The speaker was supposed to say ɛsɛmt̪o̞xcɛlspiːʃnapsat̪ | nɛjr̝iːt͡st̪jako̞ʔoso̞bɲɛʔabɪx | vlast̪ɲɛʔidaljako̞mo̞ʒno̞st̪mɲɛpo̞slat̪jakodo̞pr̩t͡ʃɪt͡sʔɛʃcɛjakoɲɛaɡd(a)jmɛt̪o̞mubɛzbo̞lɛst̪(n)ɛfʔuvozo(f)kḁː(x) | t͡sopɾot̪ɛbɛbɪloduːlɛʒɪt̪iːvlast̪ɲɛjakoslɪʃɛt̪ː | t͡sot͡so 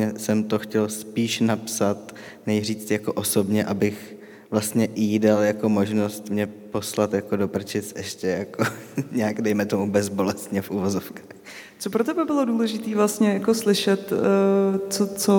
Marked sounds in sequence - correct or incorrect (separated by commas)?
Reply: incorrect, incorrect, correct, correct